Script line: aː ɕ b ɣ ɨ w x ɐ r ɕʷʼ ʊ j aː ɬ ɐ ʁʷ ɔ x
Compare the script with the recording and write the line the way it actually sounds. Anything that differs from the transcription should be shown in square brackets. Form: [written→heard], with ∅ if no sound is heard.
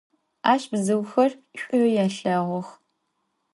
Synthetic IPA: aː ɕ b [ɣ→z] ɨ w x ɐ r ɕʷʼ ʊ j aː ɬ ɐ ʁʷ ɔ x